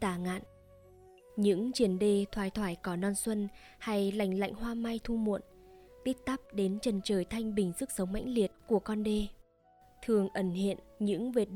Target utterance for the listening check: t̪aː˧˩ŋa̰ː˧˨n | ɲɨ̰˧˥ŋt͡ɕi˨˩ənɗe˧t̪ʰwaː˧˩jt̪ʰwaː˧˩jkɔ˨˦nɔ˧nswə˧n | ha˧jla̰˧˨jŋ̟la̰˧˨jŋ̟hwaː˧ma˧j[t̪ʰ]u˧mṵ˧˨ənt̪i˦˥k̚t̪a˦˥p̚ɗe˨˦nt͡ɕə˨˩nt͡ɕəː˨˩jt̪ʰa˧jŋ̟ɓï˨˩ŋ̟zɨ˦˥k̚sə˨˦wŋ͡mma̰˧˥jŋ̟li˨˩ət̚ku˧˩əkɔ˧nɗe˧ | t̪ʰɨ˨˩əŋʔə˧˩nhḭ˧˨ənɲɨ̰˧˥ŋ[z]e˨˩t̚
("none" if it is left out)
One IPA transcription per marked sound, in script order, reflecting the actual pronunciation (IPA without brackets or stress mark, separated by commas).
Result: t̪ʰ, v